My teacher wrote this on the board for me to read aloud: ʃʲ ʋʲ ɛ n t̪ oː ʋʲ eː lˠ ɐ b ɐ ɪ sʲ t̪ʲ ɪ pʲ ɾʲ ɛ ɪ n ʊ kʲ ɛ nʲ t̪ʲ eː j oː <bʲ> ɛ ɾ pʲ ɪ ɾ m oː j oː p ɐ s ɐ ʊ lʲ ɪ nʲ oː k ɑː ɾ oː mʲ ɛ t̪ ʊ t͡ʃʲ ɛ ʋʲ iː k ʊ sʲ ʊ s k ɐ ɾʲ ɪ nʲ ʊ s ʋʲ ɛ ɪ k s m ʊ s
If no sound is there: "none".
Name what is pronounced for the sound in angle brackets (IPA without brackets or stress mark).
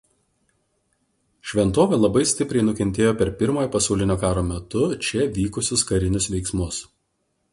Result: pʲ